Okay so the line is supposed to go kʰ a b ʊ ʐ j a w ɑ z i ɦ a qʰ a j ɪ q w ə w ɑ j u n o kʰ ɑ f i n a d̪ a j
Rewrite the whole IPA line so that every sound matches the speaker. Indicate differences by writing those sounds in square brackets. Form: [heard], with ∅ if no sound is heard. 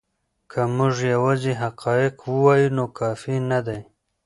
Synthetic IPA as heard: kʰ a [m] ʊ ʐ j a w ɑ z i ɦ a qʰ [ɑ] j ɪ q w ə w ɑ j u n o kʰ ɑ f i n a d̪ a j